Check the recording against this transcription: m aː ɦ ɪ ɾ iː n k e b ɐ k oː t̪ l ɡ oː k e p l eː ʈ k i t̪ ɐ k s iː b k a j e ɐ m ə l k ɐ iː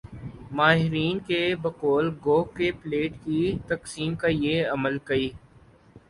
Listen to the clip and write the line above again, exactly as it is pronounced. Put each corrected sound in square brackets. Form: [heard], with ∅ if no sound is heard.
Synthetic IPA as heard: m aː ɦ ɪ ɾ iː n k e b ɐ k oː [∅] l ɡ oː k e p l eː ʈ k i t̪ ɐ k s iː [m] k a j e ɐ m ə l k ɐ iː